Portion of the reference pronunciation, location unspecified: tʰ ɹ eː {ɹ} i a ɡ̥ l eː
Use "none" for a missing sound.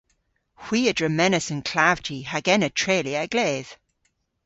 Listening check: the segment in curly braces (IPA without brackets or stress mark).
l